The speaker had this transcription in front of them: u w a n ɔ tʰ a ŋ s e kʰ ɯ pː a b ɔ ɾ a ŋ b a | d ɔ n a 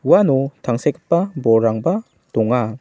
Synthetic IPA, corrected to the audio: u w a n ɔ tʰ a ŋ s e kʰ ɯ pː a b ɔ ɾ a ŋ b a | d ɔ ŋ a